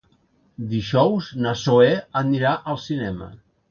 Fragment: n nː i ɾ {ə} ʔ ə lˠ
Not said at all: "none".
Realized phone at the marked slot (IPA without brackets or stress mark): a